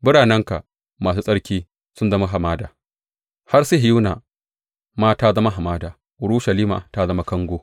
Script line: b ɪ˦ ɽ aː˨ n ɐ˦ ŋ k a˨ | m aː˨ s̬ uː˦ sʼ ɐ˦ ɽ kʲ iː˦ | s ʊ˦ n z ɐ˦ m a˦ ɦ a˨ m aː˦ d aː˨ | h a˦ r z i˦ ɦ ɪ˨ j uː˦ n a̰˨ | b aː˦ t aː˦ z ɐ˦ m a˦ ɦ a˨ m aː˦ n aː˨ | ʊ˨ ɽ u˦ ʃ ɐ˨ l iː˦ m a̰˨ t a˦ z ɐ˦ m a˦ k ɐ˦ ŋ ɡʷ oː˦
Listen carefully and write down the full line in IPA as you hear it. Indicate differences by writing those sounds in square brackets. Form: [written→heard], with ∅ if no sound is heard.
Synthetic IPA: b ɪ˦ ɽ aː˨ n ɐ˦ ŋ k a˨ | m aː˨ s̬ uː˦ sʼ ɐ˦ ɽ kʲ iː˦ | s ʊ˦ n z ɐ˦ m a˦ ɦ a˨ m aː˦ d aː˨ | h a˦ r [z→s] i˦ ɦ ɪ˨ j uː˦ n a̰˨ | [b→m] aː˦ t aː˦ z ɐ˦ m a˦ ɦ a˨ m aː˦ [n→d] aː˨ | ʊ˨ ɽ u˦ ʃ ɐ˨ l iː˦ m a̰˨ t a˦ z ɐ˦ m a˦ k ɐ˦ ŋ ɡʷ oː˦